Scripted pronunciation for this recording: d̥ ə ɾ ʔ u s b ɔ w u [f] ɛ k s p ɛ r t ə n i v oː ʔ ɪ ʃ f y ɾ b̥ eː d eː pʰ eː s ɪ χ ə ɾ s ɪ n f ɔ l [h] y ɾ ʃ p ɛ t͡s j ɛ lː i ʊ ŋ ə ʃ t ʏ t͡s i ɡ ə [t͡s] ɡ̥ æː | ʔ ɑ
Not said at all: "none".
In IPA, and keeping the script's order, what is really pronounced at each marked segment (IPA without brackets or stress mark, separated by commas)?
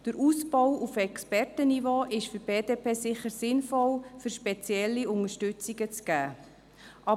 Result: f, f, t͡s